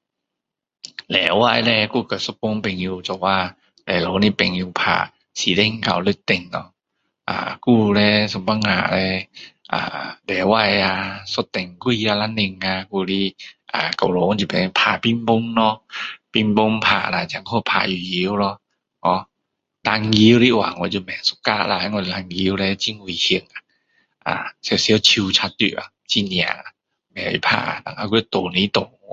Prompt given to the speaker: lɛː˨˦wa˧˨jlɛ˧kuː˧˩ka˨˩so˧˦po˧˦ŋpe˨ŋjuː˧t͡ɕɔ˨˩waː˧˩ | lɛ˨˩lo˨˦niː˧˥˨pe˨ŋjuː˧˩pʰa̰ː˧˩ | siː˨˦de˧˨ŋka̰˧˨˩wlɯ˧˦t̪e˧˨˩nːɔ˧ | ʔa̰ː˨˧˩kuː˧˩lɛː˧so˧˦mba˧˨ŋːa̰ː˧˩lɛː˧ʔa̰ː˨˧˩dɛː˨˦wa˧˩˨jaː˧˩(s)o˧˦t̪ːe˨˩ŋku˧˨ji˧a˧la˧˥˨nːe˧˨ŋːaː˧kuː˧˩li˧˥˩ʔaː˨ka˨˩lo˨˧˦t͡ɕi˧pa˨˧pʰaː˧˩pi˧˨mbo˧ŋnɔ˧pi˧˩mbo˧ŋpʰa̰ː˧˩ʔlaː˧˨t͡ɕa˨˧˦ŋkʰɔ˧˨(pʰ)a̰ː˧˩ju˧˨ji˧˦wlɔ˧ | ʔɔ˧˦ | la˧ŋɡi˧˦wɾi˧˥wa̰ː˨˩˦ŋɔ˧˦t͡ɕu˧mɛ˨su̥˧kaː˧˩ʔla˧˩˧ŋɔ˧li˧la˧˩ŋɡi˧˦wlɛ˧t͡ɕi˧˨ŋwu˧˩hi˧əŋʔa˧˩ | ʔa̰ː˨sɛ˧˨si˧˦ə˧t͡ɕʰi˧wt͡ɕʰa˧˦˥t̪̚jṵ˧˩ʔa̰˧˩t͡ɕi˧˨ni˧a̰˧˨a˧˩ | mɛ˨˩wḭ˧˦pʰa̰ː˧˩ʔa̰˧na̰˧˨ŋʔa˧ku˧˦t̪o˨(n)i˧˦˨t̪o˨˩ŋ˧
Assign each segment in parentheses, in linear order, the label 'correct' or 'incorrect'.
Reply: correct, correct, correct

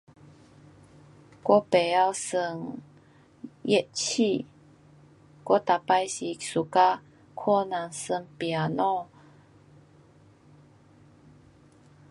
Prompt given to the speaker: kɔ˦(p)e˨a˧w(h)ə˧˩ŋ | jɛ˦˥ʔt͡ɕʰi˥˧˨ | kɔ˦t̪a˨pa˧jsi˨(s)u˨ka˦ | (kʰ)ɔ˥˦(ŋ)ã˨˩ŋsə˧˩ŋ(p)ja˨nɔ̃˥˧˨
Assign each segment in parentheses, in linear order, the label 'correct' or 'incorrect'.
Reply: correct, incorrect, correct, correct, incorrect, correct

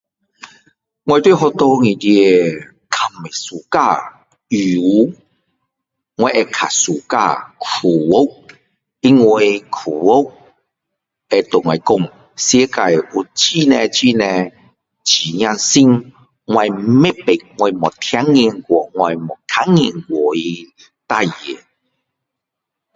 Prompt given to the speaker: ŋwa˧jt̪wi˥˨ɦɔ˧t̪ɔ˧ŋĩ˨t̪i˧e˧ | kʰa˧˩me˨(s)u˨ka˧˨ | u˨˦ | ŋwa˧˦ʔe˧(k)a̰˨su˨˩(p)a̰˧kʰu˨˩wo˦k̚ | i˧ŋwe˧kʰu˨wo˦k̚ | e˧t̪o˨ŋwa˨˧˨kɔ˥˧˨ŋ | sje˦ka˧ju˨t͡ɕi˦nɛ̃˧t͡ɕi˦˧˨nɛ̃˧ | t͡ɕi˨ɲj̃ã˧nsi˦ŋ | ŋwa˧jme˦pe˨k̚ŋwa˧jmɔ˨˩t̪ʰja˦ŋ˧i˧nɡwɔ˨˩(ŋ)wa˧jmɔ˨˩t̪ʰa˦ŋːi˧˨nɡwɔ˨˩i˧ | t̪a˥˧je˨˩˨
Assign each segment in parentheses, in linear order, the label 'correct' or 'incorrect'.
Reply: correct, incorrect, incorrect, correct

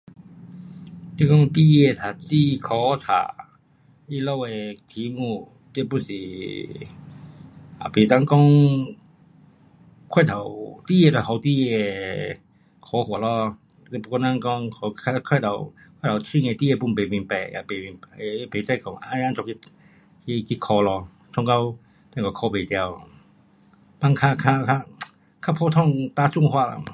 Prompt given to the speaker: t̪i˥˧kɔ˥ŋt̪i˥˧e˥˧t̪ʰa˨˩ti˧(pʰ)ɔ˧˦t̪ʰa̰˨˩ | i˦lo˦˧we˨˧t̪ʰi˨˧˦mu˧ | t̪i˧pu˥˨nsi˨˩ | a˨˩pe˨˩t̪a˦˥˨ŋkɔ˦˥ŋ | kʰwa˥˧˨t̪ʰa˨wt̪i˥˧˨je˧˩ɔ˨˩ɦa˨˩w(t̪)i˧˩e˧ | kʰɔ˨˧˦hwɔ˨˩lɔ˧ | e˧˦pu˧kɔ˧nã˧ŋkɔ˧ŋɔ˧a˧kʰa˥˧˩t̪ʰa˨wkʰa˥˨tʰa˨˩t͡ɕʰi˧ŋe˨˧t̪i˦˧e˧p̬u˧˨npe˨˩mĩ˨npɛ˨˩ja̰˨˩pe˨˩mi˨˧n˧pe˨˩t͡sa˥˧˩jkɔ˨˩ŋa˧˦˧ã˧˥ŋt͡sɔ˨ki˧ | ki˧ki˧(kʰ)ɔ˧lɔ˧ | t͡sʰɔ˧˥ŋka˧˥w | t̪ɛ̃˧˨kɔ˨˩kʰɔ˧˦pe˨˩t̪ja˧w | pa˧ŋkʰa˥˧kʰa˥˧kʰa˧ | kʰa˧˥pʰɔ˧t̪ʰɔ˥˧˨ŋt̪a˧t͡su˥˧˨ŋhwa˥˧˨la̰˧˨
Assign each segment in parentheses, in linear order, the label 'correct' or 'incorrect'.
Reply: incorrect, correct, correct

